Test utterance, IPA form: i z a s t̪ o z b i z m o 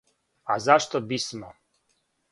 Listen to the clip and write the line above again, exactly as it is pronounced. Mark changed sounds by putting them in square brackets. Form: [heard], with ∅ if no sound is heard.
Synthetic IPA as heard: [a] z a [ʃ] t̪ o [∅] b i [s] m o

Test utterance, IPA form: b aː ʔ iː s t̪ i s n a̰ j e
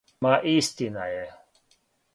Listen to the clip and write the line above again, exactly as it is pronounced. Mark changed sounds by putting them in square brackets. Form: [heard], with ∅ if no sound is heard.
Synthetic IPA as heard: [m] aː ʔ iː s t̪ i [∅] n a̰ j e

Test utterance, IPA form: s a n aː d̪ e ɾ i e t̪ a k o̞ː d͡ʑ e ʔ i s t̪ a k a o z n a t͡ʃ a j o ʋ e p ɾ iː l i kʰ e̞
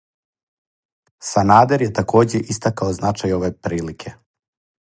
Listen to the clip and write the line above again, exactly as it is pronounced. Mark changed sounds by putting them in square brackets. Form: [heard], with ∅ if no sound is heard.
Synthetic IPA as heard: s a n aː d̪ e ɾ [j] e t̪ a k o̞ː d͡ʑ e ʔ i s t̪ a k a o z n a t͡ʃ a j o ʋ e p ɾ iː l i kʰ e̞

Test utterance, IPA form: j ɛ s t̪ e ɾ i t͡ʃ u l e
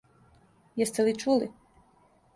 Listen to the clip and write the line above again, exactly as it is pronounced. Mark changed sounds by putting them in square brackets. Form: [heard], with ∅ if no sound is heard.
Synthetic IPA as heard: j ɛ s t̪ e [l] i t͡ʃ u l [i]

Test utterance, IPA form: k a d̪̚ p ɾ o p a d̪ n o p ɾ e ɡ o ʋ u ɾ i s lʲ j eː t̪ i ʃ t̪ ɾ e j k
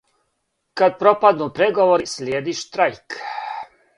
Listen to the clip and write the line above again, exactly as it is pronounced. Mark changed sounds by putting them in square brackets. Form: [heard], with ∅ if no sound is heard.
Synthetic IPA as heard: k a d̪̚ p ɾ o p a d̪ n [u] p ɾ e ɡ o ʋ [o] ɾ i s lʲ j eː [d̪] i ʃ t̪ ɾ [a] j k

